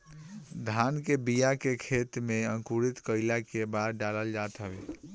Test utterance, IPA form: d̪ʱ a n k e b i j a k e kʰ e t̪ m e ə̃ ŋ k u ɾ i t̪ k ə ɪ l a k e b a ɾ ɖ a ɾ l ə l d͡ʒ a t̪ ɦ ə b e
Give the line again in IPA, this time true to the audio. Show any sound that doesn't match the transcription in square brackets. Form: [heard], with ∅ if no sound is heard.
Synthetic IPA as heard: d̪ʱ a n k e b i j a k e kʰ e t̪ m e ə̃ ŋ k u ɾ i t̪ k ə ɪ l a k e b a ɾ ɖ a [∅] l ə l d͡ʒ a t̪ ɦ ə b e

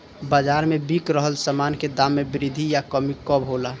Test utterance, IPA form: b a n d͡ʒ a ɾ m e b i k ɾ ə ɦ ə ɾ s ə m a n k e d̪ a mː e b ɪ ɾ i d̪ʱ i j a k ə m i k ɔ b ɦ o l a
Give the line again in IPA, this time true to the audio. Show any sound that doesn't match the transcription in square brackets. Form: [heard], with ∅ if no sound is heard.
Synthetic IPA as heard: b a [∅] d͡ʒ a ɾ m e b i k ɾ ə ɦ ə [l] s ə m a n k e d̪ a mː e b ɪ ɾ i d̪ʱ i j a k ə m i k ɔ b ɦ o l a

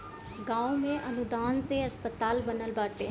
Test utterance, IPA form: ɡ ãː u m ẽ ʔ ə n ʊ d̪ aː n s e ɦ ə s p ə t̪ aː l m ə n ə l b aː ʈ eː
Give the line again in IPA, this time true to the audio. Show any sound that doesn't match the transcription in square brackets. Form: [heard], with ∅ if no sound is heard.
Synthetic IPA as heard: ɡ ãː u m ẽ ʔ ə n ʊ d̪ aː n s e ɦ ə s p ə t̪ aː l [b] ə n ə l b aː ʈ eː

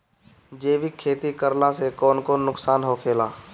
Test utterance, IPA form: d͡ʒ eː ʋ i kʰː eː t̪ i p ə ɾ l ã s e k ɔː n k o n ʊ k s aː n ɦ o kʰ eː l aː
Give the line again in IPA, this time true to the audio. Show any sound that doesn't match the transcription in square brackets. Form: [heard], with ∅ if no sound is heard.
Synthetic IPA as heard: d͡ʒ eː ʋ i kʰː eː t̪ i [k] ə ɾ l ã s e k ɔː n k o n ʊ k s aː n ɦ o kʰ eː l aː

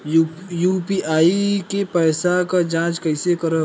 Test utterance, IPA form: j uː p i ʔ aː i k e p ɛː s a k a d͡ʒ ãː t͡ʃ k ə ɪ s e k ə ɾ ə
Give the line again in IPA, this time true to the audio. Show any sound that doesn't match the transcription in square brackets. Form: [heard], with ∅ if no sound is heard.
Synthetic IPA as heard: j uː p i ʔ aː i k e p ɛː s a k a d͡ʒ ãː t͡ʃ k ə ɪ s e k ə ɾ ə

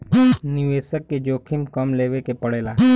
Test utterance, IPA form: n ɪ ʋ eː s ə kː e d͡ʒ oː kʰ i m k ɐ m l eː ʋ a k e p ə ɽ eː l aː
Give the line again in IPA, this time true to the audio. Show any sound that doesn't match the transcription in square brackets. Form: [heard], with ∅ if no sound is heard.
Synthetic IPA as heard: n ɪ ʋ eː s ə kː e d͡ʒ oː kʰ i m k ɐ m l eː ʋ [e] k e p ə ɽ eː l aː

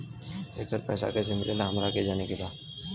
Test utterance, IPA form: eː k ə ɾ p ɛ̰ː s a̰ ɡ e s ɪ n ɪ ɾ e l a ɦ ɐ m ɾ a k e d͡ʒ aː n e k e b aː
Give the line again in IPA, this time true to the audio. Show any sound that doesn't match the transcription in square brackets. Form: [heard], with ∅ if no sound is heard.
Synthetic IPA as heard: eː k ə ɾ p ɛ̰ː s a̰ [k] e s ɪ [m] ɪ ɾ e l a ɦ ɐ m ɾ a k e d͡ʒ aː n e k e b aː

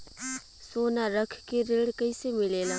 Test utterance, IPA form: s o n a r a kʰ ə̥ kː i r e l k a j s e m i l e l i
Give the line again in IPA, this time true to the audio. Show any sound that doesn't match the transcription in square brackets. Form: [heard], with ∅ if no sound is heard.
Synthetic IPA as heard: s o n a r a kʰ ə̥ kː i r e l k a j s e m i l e l [a]

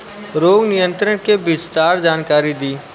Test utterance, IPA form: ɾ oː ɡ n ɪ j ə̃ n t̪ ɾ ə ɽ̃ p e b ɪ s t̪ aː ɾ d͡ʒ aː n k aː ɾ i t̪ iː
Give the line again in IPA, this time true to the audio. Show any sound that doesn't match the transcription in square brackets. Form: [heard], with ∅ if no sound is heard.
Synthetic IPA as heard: ɾ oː ɡ n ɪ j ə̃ n t̪ ɾ ə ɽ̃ [k] e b ɪ s t̪ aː ɾ d͡ʒ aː n k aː ɾ i [d̪] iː

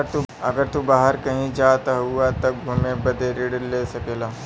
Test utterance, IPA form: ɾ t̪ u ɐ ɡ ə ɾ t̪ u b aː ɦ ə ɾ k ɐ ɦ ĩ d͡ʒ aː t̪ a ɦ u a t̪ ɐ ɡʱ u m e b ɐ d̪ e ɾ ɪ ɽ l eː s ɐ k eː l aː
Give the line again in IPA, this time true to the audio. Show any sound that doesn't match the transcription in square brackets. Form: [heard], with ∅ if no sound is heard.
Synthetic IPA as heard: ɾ t̪ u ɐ ɡ ə ɾ t̪ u b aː ɦ ə ɾ k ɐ ɦ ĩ d͡ʒ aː t̪ a ɦ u a t̪ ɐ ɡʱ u m e b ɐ d̪ e ɾ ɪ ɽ l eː s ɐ k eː l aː

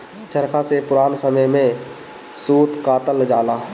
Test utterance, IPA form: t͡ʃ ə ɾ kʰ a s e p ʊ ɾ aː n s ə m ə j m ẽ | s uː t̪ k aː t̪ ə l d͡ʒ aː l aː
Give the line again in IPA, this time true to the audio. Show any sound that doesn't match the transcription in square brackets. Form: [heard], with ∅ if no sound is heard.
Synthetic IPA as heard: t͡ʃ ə ɾ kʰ a s e p ʊ ɾ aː n s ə m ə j m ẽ | s uː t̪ k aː t̪ ə l d͡ʒ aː l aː

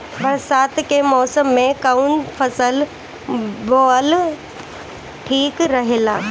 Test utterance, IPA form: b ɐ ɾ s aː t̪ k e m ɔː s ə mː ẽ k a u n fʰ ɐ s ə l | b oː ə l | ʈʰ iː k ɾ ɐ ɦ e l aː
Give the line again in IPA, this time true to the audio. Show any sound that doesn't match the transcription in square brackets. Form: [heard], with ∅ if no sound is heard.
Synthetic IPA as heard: b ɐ ɾ s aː t̪ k e m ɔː s ə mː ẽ k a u n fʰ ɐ s ə l | b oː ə l | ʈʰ iː k ɾ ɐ ɦ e l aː

